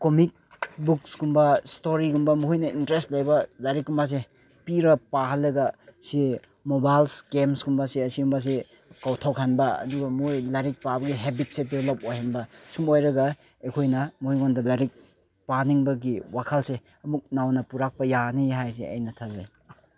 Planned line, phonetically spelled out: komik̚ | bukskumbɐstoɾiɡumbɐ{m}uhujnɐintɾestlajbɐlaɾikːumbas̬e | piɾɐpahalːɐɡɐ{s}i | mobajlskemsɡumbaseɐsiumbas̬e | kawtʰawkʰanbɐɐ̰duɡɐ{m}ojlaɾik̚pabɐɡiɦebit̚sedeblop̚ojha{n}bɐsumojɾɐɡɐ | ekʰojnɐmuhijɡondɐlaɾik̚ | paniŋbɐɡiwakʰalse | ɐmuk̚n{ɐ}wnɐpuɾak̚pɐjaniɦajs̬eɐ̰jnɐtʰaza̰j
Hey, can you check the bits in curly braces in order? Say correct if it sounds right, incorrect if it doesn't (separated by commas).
correct, correct, correct, correct, incorrect